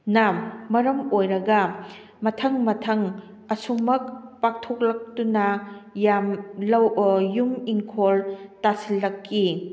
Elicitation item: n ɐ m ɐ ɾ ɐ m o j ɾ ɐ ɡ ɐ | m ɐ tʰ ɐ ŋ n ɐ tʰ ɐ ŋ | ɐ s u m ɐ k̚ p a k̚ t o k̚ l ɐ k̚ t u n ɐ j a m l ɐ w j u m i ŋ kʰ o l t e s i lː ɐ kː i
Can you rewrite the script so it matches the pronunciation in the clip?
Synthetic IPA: n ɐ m ɐ ɾ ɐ m o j ɾ ɐ ɡ ɐ | m ɐ tʰ ɐ ŋ m ɐ tʰ ɐ ŋ | ɐ s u m ɐ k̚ p a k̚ tʰ o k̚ l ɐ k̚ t u n ɐ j a m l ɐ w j u m i ŋ kʰ o l t a s i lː ɐ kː i